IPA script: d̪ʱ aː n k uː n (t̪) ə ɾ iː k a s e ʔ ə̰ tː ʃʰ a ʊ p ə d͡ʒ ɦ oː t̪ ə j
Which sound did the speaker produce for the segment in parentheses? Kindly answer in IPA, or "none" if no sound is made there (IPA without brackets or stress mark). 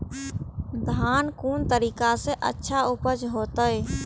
t̪